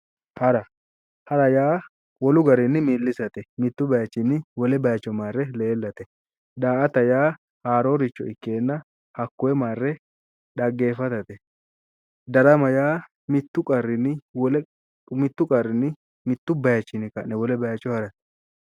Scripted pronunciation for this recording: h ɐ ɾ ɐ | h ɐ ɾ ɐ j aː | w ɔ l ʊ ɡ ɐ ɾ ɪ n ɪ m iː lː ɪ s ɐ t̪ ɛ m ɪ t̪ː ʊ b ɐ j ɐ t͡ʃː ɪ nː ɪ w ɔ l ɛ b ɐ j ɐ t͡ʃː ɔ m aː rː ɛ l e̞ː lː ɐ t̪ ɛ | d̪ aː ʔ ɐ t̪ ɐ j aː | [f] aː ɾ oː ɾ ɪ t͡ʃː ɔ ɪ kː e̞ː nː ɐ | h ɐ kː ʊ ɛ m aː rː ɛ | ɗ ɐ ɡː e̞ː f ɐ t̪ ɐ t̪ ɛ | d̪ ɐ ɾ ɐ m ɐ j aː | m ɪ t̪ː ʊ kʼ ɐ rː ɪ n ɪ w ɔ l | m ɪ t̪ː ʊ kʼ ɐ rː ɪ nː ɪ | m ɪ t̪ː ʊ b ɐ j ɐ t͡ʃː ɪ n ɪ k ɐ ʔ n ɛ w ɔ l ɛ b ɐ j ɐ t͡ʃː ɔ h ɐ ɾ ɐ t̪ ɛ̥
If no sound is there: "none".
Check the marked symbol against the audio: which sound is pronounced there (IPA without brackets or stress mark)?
h